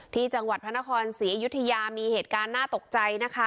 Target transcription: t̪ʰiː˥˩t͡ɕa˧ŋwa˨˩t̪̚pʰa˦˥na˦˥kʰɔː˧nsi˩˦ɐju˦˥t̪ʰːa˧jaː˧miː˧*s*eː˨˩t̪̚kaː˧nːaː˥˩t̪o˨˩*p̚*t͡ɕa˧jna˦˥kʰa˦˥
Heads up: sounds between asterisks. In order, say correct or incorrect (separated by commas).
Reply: incorrect, incorrect